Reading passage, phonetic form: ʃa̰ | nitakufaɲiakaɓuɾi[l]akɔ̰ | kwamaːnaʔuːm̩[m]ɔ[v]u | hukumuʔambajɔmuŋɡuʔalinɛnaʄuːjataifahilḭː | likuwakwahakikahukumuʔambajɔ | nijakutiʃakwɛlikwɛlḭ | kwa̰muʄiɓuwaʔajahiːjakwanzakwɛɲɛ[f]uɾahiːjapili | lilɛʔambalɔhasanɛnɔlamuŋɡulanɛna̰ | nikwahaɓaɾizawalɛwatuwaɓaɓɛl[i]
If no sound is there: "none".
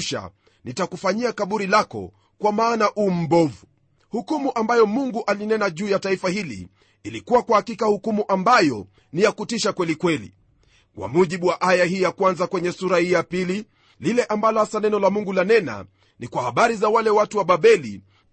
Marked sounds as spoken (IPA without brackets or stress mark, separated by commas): l, b, v, s, i